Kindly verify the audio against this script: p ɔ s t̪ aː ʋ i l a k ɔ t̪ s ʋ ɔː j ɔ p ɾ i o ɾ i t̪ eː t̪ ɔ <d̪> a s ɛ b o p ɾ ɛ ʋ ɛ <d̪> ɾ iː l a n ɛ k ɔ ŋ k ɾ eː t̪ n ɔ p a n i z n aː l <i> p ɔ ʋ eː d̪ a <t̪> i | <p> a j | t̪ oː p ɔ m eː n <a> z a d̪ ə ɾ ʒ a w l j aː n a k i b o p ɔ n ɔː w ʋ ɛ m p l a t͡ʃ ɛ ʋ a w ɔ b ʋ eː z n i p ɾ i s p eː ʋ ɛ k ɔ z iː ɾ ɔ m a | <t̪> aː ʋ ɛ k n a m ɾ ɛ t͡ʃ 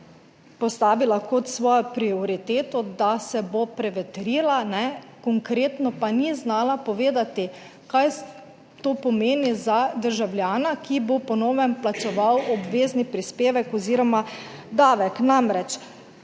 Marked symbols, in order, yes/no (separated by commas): yes, no, no, yes, no, no, no